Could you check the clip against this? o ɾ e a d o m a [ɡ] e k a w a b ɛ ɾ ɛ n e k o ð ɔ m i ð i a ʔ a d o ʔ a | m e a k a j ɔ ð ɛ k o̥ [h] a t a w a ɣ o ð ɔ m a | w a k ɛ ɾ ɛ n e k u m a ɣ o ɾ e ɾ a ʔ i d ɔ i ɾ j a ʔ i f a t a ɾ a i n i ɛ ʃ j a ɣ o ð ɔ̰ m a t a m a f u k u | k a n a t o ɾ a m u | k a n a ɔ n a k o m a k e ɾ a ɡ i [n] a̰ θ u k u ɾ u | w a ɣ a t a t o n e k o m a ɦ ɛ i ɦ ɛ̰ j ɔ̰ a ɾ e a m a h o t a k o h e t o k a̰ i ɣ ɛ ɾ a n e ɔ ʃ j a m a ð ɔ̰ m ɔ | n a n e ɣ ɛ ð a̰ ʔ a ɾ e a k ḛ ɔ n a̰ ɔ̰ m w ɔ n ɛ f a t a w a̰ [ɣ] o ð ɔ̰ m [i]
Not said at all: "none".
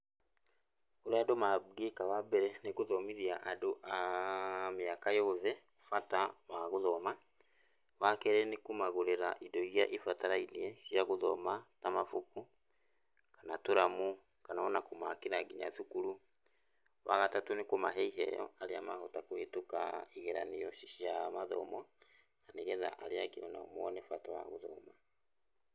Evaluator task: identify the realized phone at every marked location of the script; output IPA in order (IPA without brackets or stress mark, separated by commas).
ɡ, f, ɲ, ɣ, a